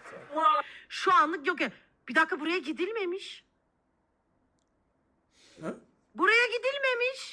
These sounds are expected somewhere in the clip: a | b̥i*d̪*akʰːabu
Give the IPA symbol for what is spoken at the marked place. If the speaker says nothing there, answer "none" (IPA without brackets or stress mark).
d̪